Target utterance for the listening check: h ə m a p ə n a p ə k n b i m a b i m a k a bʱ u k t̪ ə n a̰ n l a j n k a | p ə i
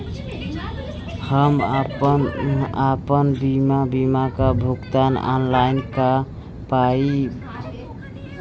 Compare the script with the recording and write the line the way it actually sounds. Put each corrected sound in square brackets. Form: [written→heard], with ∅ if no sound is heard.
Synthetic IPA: h ə m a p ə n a p ə [k→∅] n b i m a b i m a k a bʱ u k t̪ [ə→a] n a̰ n l a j n k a | p [ə→a] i